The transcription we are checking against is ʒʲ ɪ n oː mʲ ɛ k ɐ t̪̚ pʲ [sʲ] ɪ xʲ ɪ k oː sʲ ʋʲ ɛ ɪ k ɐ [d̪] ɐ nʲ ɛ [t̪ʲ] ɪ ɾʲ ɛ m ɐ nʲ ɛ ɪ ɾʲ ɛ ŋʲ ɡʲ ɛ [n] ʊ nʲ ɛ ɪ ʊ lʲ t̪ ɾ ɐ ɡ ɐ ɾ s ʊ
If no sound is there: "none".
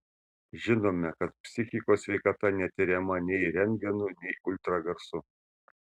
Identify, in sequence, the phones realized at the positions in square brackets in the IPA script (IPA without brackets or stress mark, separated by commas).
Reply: sʲ, t̪, t̪ʲ, n